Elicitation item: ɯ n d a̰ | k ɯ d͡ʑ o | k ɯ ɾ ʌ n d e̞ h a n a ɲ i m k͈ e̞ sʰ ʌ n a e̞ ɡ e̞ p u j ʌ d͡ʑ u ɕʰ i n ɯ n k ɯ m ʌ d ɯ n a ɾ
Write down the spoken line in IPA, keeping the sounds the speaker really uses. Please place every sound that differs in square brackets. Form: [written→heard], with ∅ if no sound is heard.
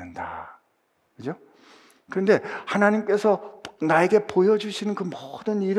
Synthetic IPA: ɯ n d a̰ | k ɯ d͡ʑ o | k ɯ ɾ ʌ n d e̞ h a n a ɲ i m k͈ e̞ sʰ ʌ n a e̞ ɡ e̞ p [u→o] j ʌ d͡ʑ u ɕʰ i n ɯ n k ɯ m ʌ d ɯ n [a→i] ɾ